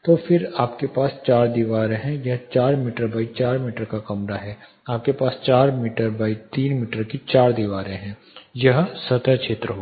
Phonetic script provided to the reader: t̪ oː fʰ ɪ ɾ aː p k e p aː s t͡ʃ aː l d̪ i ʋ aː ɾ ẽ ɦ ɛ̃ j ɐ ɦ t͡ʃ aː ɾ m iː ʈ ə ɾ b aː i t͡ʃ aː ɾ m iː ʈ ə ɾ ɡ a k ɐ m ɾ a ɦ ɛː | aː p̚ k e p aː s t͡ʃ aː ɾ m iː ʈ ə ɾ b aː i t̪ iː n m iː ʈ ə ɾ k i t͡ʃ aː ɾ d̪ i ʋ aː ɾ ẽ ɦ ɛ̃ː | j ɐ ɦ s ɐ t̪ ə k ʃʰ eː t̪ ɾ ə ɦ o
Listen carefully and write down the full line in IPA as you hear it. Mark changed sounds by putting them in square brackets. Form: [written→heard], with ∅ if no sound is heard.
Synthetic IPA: t̪ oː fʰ ɪ ɾ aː p k e p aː s t͡ʃ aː [l→ɾ] d̪ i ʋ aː ɾ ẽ ɦ ɛ̃ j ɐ ɦ t͡ʃ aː ɾ m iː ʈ ə ɾ b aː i t͡ʃ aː ɾ m iː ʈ ə ɾ [ɡ→k] a k ɐ m ɾ a ɦ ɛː | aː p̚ k e p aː s t͡ʃ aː ɾ m iː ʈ ə ɾ b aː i t̪ iː n m iː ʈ ə ɾ k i t͡ʃ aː ɾ d̪ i ʋ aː ɾ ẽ ɦ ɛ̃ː | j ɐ ɦ s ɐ t̪ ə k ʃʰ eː t̪ ɾ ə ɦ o